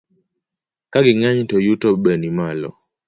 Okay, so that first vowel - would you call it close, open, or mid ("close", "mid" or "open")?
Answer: open